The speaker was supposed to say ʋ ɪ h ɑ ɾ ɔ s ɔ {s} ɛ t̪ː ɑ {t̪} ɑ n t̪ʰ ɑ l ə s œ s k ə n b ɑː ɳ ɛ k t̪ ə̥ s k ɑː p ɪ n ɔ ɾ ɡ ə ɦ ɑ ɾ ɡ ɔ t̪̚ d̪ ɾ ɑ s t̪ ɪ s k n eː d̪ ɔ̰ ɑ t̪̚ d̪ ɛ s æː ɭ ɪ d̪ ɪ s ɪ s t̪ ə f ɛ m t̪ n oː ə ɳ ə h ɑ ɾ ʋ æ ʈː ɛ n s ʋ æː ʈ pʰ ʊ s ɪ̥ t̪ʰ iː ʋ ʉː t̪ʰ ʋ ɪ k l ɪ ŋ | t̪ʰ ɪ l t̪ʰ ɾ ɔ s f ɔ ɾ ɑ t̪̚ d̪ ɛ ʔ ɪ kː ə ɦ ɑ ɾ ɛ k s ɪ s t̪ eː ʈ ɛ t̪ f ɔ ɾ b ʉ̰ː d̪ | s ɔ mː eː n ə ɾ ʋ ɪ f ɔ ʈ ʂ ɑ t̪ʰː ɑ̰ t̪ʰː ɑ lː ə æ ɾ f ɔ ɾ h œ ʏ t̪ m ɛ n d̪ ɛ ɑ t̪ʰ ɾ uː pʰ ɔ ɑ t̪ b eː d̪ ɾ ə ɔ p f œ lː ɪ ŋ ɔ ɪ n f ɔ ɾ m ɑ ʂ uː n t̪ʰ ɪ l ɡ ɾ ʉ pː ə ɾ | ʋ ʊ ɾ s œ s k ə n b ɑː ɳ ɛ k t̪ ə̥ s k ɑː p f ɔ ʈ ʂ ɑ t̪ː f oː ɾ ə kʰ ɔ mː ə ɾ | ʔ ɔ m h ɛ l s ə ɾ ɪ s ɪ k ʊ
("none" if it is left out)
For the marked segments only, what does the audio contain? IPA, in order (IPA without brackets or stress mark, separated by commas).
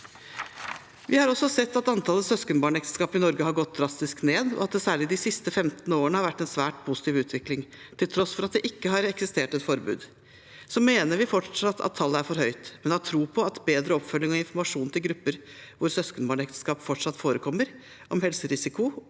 s, t̪